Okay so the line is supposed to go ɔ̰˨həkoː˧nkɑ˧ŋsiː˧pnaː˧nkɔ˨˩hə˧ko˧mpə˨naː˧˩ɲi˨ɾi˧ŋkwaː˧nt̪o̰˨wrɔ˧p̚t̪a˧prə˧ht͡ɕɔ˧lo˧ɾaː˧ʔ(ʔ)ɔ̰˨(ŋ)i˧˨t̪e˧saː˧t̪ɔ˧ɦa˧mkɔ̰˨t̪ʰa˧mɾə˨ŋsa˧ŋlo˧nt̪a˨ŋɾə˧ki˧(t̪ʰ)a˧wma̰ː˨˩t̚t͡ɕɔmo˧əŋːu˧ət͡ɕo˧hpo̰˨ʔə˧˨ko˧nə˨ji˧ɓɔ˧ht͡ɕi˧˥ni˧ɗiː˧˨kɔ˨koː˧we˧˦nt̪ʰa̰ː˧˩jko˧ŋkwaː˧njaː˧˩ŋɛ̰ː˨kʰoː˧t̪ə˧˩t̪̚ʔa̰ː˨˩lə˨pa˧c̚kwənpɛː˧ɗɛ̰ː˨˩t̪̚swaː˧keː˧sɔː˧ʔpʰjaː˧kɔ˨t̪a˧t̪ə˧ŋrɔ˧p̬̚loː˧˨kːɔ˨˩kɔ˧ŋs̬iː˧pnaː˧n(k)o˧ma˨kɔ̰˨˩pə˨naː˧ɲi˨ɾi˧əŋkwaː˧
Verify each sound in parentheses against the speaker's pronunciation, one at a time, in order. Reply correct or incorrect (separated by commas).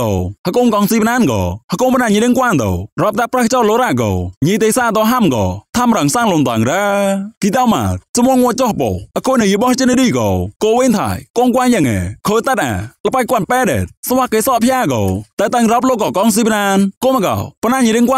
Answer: incorrect, incorrect, incorrect, correct